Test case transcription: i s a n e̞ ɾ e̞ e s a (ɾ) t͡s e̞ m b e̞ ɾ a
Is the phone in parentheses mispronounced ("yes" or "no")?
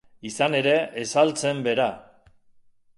yes